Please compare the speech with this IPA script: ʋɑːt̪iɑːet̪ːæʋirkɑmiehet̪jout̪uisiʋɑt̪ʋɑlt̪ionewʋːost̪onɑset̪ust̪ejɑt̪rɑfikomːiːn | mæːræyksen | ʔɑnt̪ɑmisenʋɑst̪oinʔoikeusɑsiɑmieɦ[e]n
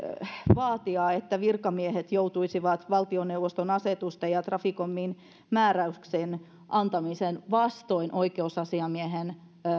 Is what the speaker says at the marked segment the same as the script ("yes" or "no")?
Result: yes